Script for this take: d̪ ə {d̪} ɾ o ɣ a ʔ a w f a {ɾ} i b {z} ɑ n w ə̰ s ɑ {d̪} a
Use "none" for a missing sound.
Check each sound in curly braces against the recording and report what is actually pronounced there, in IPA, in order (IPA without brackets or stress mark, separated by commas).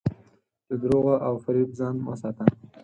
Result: d̪, ɾ, z, t̪